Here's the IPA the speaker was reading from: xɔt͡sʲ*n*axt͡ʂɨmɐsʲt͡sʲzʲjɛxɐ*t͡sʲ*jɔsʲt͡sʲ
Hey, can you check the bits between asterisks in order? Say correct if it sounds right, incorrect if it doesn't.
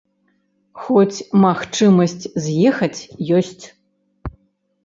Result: incorrect, correct

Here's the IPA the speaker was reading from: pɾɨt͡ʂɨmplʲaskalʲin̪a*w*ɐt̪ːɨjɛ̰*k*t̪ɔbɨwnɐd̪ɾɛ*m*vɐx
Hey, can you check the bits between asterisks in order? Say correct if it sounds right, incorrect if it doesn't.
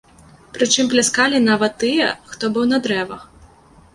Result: incorrect, incorrect, incorrect

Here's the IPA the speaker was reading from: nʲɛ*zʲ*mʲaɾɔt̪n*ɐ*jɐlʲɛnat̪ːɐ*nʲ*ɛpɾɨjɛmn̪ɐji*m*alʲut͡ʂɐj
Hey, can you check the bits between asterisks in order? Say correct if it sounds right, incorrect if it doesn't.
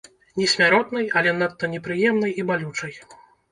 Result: incorrect, correct, correct, incorrect

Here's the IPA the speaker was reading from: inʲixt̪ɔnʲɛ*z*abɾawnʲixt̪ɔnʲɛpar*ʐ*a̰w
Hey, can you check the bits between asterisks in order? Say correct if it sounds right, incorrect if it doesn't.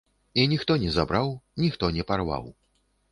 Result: correct, incorrect

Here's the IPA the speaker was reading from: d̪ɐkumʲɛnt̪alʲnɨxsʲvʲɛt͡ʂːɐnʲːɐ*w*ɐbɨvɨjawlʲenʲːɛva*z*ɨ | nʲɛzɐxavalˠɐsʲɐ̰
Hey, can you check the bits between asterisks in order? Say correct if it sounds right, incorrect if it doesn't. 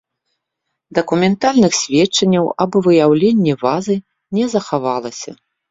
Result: correct, correct

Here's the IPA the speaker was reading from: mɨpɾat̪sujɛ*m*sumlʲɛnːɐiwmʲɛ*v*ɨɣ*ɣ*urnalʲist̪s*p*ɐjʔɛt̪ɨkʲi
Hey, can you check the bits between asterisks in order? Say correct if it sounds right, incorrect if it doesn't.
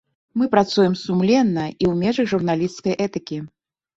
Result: correct, incorrect, incorrect, incorrect

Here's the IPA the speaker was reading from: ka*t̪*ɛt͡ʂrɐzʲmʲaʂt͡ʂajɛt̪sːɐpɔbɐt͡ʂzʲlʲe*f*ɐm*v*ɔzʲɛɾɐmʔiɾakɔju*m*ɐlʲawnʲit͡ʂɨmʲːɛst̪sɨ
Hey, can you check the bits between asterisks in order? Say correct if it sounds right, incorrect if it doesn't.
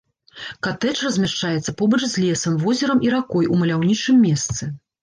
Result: correct, incorrect, correct, correct

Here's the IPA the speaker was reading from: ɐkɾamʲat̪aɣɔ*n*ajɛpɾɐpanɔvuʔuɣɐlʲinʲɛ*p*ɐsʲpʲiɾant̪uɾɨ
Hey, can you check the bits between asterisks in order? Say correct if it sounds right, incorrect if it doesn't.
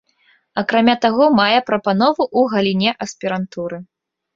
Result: incorrect, incorrect

